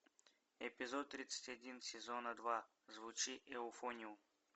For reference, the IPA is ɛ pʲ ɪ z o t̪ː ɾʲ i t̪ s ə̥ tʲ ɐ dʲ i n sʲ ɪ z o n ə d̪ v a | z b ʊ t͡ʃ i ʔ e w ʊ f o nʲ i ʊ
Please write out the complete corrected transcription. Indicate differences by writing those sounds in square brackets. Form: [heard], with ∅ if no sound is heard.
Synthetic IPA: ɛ pʲ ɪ z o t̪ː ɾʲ i t̪ s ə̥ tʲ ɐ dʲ i n sʲ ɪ z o n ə d̪ v a | z [v] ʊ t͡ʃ i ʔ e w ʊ f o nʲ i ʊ